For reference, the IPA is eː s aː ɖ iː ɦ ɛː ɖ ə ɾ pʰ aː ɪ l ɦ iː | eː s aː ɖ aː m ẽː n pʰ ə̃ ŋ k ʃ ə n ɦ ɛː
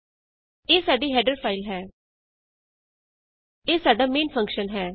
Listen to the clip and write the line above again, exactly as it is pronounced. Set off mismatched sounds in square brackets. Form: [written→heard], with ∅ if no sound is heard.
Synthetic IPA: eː s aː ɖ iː ɦ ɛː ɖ ə ɾ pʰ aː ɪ l ɦ [iː→ɛː] | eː s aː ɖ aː m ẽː n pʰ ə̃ ŋ k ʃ ə n ɦ ɛː